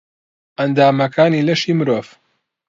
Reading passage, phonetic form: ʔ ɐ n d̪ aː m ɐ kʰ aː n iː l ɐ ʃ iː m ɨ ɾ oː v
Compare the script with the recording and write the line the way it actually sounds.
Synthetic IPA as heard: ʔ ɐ n d̪ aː m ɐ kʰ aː n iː l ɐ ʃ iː m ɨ ɾ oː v